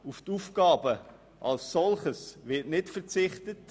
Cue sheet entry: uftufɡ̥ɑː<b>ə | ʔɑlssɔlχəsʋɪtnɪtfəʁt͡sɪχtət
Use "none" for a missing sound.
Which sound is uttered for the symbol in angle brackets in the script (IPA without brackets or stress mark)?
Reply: b